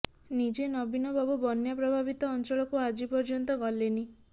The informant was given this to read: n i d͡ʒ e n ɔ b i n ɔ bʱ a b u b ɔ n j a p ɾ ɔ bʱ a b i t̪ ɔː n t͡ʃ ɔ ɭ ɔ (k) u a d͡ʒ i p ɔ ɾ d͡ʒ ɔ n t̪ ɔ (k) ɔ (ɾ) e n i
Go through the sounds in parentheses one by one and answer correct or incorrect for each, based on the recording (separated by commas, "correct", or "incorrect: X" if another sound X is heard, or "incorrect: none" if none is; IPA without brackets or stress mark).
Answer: correct, incorrect: ɡ, incorrect: l